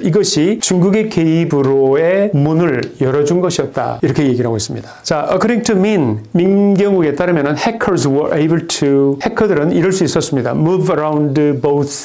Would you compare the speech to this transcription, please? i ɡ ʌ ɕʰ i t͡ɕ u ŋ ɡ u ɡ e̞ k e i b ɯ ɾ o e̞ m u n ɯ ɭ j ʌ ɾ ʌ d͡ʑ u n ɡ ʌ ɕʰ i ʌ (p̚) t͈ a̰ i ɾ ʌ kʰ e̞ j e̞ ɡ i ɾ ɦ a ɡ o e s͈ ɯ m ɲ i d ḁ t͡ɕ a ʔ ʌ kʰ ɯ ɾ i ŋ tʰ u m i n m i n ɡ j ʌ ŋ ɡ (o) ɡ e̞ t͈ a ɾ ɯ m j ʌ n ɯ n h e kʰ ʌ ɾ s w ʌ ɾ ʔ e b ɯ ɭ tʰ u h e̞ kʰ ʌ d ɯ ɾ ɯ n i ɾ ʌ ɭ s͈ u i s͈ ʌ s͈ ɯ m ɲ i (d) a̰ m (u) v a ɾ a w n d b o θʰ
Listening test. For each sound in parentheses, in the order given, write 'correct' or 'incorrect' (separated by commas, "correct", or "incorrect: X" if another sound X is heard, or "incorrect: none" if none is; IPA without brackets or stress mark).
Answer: incorrect: t̚, incorrect: u, correct, correct